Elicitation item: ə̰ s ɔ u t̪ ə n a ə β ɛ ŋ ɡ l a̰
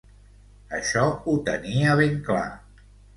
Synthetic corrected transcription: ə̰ ʃ ɔ u t̪ ə n i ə β e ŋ k l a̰